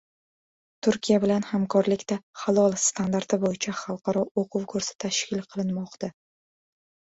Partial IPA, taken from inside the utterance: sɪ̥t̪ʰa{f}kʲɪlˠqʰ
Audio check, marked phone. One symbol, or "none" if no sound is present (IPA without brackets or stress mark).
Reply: ʃ